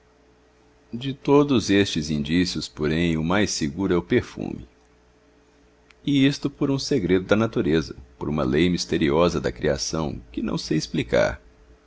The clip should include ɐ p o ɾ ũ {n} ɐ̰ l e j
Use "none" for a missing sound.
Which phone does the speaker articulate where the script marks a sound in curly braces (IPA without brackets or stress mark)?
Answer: m